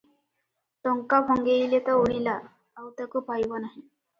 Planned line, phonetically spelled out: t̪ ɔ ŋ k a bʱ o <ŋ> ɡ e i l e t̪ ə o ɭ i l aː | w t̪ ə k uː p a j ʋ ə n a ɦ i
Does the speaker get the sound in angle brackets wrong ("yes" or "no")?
no